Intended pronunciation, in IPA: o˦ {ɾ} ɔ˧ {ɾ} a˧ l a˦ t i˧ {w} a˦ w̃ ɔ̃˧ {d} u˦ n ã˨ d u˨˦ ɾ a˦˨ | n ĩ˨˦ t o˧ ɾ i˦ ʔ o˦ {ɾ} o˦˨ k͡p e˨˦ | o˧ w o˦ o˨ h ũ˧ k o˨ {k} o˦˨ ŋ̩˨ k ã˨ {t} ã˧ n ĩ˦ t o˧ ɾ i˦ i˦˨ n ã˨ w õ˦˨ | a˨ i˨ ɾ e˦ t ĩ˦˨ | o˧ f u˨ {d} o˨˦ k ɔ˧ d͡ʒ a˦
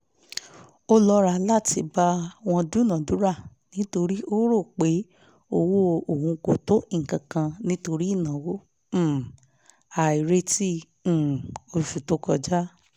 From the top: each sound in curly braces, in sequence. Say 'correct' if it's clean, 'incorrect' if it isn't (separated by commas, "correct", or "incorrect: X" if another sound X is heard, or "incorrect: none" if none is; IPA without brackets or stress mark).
incorrect: l, correct, incorrect: b, correct, correct, incorrect: t, incorrect: k, incorrect: t